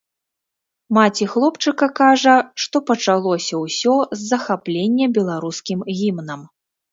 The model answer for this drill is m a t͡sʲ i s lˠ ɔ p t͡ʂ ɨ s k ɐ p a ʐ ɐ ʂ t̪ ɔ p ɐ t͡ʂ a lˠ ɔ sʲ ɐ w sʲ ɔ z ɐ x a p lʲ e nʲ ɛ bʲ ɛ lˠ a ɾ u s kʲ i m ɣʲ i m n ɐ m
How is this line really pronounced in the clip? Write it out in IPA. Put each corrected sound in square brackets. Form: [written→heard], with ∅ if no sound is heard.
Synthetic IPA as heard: m a t͡sʲ i [s→x] lˠ ɔ p t͡ʂ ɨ [s→∅] k ɐ [p→k] a ʐ ɐ ʂ t̪ ɔ p ɐ t͡ʂ a lˠ ɔ sʲ ɐ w sʲ ɔ [z→zː] ɐ x a p lʲ e [nʲ→nʲː] ɛ bʲ ɛ lˠ a ɾ u s kʲ i m ɣʲ i m n ɐ m